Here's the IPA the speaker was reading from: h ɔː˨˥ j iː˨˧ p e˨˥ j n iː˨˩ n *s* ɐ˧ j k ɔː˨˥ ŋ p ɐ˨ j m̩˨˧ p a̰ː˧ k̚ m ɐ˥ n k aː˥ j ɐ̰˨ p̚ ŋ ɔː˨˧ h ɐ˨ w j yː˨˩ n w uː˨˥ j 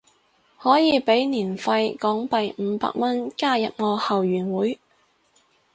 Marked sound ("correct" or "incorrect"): incorrect